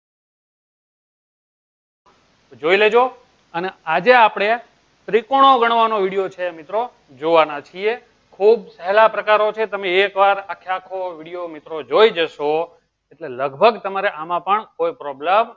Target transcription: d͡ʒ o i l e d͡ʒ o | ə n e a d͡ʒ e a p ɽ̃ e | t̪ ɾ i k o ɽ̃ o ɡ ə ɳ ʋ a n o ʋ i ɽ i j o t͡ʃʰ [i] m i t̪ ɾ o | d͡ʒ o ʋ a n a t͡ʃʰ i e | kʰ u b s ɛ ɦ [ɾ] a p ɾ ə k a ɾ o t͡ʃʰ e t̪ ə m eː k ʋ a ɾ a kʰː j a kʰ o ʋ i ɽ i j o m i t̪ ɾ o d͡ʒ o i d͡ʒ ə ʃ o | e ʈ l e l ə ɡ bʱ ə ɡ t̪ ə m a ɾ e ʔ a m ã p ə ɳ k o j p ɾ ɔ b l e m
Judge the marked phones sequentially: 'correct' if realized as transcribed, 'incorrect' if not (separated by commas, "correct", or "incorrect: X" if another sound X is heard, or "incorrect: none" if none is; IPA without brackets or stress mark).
incorrect: e, incorrect: l